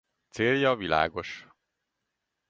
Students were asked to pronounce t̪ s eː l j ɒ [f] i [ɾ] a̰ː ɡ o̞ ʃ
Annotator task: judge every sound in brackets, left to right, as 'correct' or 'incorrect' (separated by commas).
incorrect, incorrect